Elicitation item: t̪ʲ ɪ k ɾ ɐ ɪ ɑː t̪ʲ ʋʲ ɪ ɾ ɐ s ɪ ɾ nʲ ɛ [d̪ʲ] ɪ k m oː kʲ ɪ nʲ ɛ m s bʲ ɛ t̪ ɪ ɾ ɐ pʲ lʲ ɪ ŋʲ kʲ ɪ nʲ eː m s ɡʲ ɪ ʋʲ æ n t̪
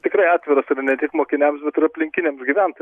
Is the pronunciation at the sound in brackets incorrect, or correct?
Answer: incorrect